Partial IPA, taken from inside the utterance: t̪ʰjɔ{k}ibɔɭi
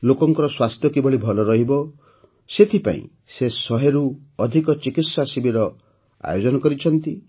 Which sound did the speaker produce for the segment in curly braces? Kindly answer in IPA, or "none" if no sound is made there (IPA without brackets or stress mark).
k